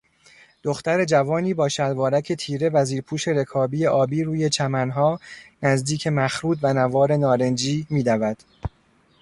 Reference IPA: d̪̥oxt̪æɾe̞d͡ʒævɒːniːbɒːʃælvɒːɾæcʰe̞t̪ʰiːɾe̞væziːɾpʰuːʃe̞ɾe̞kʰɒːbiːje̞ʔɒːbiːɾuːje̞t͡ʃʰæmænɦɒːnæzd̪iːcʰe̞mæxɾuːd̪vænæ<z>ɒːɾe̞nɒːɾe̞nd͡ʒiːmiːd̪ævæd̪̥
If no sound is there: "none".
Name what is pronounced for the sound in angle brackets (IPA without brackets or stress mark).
v